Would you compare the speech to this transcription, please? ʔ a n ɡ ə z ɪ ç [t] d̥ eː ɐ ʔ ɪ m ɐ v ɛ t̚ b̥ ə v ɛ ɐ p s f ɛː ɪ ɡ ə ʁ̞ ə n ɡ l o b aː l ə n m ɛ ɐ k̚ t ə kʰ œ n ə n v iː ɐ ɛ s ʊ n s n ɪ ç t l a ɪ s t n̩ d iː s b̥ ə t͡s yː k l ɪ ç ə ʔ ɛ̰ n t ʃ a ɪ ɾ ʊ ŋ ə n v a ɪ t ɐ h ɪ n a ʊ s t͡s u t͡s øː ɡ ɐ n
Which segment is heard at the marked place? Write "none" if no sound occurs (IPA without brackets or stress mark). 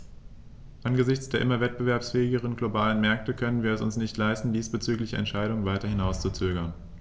t͡s